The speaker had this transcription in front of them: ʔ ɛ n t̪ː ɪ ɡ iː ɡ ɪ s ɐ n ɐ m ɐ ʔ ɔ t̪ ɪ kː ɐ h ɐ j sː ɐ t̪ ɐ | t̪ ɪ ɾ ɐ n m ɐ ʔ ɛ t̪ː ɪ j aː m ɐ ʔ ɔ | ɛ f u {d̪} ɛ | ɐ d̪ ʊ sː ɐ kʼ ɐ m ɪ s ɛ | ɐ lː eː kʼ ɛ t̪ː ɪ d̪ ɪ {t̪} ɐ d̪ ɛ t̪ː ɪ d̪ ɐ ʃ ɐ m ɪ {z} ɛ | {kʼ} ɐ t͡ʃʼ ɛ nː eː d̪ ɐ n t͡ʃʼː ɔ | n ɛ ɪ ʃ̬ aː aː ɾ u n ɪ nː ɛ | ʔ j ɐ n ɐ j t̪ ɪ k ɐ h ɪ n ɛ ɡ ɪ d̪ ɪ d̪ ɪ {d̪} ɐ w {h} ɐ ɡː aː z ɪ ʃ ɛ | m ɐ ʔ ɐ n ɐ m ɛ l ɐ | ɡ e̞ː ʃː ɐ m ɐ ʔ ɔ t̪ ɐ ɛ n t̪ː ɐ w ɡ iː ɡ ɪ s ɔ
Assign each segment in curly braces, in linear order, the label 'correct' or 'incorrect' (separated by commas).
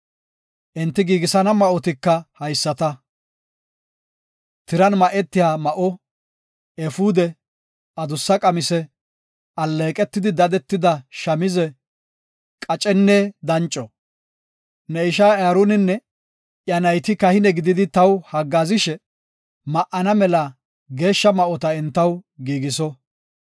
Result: correct, incorrect, correct, correct, incorrect, correct